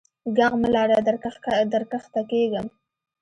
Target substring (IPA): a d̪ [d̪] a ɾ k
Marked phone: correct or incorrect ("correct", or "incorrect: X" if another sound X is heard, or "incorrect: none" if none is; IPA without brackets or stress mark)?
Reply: correct